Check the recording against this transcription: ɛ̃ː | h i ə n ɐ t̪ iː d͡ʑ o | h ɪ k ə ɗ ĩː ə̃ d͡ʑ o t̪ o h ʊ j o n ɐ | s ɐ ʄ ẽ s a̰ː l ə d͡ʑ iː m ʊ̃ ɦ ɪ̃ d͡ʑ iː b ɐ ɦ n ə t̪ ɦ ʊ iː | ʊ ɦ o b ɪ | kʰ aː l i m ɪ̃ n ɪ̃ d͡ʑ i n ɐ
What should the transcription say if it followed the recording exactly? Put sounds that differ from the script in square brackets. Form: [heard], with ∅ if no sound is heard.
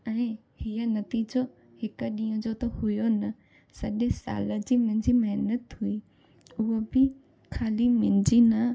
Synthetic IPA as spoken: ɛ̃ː | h i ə n ɐ t̪ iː d͡ʑ o | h ɪ k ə ɗ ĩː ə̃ d͡ʑ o t̪ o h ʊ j o n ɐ | s ɐ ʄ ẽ s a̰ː l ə d͡ʑ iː m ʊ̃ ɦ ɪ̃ d͡ʑ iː [m] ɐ ɦ n ə t̪ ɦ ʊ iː | ʊ ɦ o b ɪ | kʰ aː l i m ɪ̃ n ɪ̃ d͡ʑ i n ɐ